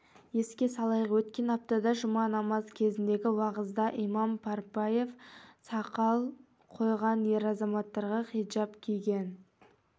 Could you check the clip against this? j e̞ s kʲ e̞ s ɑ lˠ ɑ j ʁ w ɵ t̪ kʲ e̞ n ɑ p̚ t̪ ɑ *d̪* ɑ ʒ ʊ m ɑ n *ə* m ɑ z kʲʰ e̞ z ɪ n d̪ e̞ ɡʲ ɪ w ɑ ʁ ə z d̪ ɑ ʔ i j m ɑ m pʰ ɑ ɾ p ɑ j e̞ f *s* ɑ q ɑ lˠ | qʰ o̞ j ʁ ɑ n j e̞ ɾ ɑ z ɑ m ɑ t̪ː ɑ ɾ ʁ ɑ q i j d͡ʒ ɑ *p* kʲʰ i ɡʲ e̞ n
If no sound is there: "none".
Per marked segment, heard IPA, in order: d̪, ɑ, s, p

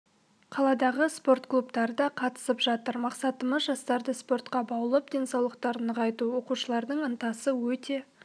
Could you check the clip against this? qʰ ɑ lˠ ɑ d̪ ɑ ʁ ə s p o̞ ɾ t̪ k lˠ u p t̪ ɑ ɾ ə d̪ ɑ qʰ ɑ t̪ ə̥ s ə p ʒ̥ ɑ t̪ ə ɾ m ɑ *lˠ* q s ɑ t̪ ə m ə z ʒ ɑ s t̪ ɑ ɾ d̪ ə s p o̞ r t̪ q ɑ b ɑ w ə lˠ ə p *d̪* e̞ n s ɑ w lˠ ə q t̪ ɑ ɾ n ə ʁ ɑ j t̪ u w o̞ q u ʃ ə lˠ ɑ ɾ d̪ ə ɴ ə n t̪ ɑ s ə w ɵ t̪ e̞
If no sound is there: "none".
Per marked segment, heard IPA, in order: none, d̪

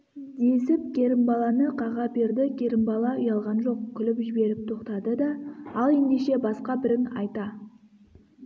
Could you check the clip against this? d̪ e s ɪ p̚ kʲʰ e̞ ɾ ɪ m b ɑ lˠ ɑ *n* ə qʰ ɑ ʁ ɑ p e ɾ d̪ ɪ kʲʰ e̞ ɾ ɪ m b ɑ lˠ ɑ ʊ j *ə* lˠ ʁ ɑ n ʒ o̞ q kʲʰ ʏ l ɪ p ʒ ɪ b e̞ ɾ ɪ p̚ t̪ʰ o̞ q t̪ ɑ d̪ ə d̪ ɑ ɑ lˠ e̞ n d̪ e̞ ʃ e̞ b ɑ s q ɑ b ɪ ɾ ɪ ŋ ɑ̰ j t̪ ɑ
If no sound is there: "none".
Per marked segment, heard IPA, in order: n, ɑ

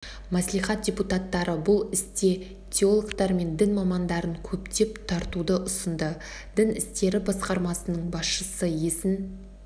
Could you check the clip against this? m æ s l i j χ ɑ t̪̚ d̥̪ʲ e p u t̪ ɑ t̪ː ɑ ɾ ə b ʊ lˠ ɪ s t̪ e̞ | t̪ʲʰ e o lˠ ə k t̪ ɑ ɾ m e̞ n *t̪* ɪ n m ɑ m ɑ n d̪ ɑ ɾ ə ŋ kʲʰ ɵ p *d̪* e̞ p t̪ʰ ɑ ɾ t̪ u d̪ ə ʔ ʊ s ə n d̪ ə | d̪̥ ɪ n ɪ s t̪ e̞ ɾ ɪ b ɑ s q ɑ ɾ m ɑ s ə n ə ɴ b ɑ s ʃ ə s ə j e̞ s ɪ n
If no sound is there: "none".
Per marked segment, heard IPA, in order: d̪, t̪

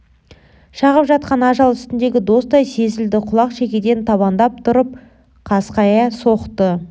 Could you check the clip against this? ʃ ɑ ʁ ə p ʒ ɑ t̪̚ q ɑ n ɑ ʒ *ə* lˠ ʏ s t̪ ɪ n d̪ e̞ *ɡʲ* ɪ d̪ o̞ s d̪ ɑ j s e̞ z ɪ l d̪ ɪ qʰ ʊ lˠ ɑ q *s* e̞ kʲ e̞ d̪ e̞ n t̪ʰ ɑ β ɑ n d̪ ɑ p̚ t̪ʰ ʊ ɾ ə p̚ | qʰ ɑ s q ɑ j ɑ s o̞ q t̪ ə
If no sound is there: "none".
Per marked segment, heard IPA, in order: ɑ, ɡʲ, ʃ

